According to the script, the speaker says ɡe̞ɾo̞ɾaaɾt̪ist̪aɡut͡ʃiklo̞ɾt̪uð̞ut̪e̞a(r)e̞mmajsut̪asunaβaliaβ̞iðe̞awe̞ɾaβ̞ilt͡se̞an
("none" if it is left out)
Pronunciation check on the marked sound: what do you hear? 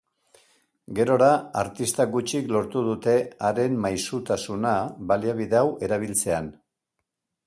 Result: ɾ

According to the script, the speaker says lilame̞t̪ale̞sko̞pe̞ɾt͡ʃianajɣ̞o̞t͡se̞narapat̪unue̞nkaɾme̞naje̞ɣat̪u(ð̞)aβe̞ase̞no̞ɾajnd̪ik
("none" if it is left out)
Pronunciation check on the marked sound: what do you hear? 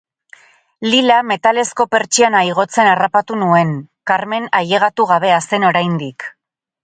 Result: ɣ̞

